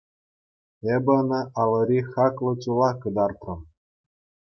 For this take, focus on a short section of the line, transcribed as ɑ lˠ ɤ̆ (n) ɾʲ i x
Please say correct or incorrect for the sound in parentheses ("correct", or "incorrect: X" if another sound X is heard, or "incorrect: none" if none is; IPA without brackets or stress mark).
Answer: incorrect: none